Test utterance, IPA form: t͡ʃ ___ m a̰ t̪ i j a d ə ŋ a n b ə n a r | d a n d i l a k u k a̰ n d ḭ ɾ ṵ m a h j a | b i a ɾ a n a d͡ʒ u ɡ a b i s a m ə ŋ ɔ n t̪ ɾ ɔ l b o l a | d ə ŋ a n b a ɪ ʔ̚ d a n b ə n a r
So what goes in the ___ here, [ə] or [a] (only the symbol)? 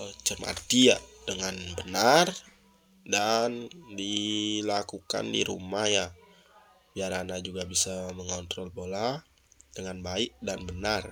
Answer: ə